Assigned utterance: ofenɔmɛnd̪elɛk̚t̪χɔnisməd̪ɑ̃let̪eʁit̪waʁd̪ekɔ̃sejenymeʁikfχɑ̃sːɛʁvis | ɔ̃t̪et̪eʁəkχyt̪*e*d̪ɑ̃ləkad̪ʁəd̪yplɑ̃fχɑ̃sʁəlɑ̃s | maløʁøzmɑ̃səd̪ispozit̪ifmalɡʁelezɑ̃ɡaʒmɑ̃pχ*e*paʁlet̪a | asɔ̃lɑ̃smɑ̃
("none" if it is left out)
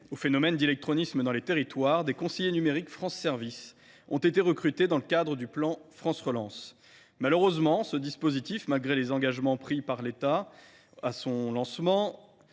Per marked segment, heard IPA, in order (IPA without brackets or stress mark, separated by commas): e, i